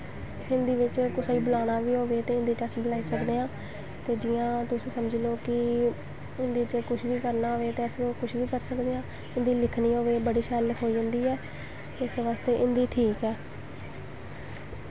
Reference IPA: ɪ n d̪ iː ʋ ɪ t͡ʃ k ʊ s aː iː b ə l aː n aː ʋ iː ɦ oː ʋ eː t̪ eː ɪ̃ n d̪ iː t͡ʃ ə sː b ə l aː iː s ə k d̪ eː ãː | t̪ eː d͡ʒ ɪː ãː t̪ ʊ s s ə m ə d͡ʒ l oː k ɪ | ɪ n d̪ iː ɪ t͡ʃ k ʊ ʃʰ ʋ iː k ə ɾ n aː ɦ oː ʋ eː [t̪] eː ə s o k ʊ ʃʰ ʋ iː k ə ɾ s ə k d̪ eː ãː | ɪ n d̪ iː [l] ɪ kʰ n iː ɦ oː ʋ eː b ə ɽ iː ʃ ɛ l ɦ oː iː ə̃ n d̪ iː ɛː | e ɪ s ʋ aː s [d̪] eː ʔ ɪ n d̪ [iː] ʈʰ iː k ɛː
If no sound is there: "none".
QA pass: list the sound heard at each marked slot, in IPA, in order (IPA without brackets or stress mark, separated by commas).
t̪, l, t̪, iː